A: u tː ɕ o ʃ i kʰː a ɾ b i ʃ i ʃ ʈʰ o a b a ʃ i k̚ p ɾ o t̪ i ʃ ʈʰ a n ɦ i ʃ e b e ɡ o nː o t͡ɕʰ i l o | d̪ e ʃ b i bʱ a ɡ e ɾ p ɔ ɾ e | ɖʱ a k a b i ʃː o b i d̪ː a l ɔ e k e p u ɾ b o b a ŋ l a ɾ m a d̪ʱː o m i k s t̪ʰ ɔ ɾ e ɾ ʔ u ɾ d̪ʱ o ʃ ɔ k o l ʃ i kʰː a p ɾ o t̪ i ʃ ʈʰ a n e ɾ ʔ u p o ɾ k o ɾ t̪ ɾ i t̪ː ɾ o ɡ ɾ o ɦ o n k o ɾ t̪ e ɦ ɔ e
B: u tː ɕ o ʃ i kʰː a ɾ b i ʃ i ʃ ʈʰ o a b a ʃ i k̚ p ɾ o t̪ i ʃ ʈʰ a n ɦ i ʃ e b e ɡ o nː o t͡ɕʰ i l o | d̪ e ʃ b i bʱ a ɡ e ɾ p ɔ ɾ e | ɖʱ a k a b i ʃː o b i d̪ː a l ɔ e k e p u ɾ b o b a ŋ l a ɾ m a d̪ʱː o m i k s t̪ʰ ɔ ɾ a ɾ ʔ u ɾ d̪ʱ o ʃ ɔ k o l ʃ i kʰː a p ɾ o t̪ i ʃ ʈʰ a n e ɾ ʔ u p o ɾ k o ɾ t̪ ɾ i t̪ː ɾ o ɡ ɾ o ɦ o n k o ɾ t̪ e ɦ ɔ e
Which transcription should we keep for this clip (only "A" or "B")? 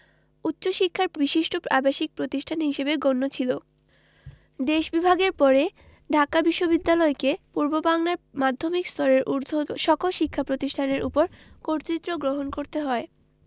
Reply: A